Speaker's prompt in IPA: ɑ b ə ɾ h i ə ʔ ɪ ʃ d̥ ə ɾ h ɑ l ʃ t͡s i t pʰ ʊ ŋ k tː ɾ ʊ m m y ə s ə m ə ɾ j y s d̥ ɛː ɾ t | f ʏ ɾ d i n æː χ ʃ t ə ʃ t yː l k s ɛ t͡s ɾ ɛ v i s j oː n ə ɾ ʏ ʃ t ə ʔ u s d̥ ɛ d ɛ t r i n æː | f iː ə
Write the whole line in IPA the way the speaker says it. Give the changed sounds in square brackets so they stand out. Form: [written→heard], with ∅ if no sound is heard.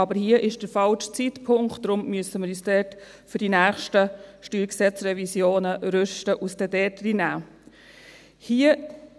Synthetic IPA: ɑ b ə ɾ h i ə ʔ ɪ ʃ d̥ ə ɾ [h→f] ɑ l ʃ t͡s i t pʰ ʊ ŋ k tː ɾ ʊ m m y ə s ə m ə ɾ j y s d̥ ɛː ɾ t | f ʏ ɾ d i n æː χ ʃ t ə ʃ t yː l k s ɛ t͡s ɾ ɛ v i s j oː n ə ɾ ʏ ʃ t ə ʔ u s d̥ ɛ d ɛ t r i n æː | [f→h] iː ə

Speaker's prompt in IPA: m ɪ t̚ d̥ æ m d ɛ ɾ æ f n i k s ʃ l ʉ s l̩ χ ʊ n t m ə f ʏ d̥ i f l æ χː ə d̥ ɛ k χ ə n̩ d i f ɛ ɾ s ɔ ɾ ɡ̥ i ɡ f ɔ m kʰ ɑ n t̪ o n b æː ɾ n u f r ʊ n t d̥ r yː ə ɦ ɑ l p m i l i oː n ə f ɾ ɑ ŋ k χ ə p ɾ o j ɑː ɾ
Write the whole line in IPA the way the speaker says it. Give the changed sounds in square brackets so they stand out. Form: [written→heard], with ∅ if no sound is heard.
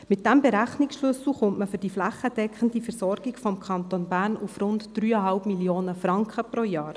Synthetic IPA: m ɪ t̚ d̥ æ m [d→b] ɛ ɾ æ [f→χ] n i k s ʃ l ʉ s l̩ χ ʊ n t m ə f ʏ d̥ i f l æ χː ə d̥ ɛ k χ ə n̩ d i f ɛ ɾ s ɔ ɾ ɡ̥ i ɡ f ɔ m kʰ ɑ n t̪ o n b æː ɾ n u f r ʊ n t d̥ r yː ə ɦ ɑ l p m i l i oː n ə f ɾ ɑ ŋ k χ ə p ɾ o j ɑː ɾ

